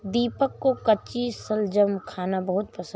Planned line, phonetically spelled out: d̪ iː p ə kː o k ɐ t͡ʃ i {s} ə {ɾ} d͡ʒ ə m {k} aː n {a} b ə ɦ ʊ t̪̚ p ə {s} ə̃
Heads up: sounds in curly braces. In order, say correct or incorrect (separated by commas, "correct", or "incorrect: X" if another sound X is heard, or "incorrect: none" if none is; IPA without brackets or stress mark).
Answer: correct, incorrect: l, incorrect: kʰ, correct, correct